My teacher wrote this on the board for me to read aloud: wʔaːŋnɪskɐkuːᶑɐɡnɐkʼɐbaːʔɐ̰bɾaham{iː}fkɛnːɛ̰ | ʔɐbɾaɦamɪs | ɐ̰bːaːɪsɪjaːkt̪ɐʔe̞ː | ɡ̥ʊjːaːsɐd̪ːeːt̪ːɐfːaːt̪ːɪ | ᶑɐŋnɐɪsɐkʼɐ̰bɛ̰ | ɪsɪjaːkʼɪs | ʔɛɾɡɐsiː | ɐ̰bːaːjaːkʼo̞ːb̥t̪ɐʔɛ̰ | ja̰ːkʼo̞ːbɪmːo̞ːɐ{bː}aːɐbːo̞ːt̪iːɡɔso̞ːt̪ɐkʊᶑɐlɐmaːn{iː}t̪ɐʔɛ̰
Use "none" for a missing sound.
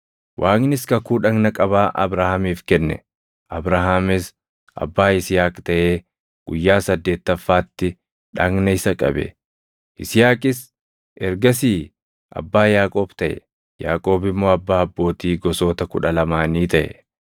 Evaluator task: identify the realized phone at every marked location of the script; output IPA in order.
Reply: iː, bː, iː

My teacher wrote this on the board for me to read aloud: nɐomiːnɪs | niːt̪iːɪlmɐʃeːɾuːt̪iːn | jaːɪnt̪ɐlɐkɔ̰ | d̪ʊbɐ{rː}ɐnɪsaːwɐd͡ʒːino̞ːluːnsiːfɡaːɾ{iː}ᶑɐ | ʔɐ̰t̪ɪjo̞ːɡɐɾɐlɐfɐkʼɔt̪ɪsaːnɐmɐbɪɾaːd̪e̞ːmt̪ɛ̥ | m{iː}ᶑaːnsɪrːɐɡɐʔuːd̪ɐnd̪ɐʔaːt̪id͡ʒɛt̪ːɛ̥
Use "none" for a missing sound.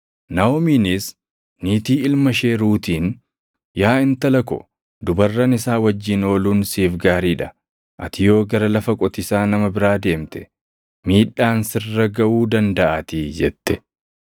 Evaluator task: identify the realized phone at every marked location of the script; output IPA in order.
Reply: rː, iː, iː

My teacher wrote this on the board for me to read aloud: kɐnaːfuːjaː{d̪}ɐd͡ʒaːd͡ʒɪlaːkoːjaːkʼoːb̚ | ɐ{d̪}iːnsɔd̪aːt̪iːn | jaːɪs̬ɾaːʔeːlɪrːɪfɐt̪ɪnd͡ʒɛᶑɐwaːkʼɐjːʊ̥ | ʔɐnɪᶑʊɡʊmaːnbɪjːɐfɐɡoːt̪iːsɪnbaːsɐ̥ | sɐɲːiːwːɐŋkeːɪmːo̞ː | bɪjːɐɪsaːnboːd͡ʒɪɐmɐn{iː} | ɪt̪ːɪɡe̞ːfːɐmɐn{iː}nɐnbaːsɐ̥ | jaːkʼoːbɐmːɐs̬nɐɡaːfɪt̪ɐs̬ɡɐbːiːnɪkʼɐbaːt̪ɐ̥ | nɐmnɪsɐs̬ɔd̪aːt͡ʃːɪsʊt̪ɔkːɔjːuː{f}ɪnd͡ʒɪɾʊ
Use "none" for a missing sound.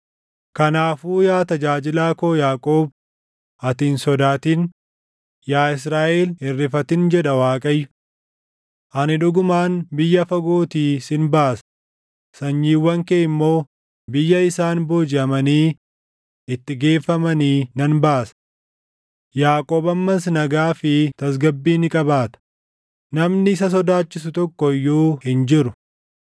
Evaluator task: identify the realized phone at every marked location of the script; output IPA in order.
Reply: t̪, t̪, iː, iː, h

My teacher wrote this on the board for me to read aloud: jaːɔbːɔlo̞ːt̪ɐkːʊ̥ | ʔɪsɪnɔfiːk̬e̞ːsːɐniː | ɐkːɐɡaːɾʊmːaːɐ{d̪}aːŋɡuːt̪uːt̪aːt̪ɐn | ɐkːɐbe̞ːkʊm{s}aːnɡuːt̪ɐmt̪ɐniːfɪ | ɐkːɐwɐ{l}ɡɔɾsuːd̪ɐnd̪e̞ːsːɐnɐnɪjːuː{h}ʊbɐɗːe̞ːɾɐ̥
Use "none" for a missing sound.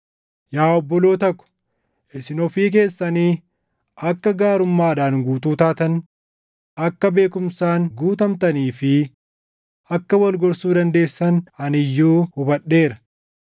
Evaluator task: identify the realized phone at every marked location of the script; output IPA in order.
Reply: d̪, s, l, h

